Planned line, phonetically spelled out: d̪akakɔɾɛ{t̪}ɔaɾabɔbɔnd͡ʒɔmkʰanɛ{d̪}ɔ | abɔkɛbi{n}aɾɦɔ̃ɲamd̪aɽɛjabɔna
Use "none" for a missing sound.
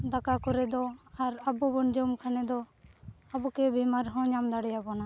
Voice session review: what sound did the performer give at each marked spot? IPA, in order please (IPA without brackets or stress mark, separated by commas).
d̪, d̪, m